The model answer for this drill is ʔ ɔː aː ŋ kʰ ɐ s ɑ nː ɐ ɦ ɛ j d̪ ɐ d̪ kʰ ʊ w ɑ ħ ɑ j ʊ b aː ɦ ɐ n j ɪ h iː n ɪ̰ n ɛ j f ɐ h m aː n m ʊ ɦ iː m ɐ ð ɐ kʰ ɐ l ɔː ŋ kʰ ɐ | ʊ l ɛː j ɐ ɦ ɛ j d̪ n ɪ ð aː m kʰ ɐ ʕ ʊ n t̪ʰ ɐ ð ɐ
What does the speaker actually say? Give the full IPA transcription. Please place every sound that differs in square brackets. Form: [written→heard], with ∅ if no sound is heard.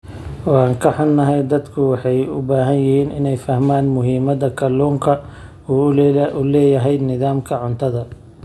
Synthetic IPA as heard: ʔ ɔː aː ŋ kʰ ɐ [s→ħ] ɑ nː ɐ ɦ ɛ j d̪ ɐ d̪ kʰ ʊ w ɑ ħ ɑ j ʊ b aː ɦ ɐ n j ɪ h iː n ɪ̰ n ɛ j f ɐ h m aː n m ʊ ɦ iː m ɐ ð ɐ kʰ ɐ l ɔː ŋ kʰ ɐ | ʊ l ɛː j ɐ ɦ ɛ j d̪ n ɪ ð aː m kʰ ɐ ʕ ʊ n t̪ʰ ɐ ð ɐ